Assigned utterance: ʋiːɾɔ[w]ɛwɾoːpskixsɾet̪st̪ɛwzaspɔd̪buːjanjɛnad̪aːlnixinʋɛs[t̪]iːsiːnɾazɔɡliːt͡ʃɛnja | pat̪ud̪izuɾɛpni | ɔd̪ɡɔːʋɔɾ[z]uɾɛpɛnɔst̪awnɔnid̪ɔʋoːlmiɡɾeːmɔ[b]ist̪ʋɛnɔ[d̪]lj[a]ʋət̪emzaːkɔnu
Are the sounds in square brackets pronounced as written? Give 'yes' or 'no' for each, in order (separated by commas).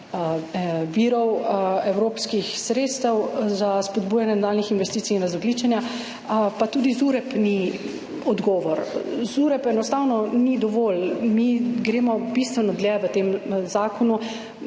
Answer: yes, yes, yes, yes, yes, no